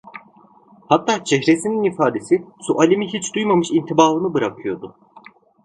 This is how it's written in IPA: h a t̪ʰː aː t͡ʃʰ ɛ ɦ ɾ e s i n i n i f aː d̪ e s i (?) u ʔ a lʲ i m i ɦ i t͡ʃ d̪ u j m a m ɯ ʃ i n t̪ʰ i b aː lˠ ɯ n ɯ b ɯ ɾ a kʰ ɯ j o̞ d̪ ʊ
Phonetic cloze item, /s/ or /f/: s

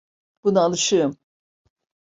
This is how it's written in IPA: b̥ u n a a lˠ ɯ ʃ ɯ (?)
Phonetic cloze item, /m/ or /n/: m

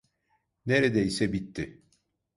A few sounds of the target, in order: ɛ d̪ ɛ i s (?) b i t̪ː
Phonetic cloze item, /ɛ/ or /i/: ɛ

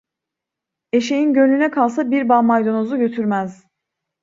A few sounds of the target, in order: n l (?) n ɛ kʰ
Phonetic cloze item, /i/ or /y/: y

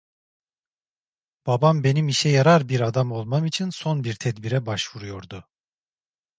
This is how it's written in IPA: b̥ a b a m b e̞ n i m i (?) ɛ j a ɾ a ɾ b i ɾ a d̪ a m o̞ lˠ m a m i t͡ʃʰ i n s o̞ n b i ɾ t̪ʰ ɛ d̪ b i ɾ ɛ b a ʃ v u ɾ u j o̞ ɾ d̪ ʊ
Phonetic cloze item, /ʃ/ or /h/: ʃ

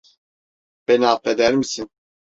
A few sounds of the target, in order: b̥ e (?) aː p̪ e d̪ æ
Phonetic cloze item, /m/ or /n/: n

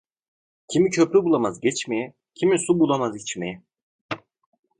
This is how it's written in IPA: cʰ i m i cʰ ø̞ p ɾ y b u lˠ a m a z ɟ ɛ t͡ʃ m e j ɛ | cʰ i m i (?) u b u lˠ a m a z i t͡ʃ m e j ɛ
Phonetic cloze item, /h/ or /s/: s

